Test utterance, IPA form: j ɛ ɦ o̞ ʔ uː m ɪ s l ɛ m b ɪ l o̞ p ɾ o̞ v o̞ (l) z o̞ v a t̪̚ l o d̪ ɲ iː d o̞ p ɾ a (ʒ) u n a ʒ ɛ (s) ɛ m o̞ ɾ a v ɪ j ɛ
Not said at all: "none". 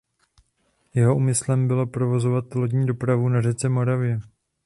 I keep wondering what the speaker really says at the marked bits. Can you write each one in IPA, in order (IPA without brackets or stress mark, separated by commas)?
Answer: none, v, t͡s